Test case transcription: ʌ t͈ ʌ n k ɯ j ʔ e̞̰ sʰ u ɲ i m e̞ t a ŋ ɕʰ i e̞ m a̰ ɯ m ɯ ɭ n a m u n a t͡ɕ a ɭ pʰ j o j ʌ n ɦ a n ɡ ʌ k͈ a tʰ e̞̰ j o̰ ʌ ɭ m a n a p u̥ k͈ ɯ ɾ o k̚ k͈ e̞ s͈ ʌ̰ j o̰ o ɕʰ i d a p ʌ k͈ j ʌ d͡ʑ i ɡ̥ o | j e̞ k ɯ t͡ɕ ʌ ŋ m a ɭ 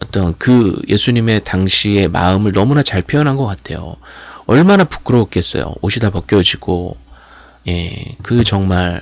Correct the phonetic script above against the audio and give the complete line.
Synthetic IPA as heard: ʌ t͈ ʌ n k ɯ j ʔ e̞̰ sʰ u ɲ i m e̞ t a ŋ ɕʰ i e̞ m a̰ ɯ m ɯ ɭ n ʌ m u n a t͡ɕ a ɭ pʰ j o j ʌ n ɦ a n ɡ ʌ k͈ a tʰ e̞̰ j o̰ ʌ ɭ m a n a p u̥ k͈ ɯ ɾ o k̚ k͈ e̞ s͈ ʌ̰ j o̰ o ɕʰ i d a p ʌ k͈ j ʌ d͡ʑ i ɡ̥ o | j e̞ k ɯ t͡ɕ ʌ ŋ m a ɭ